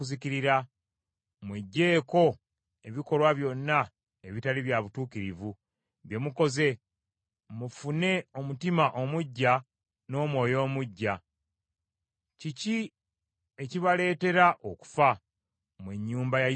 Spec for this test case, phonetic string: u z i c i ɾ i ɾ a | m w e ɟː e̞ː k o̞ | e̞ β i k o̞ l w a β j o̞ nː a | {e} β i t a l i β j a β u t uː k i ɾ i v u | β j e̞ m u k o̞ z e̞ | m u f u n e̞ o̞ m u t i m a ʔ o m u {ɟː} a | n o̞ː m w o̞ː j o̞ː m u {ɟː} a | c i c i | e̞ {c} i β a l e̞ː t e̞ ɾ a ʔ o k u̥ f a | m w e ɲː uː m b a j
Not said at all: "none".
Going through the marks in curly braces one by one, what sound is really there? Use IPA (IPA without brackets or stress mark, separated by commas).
e, ɟː, ɟː, c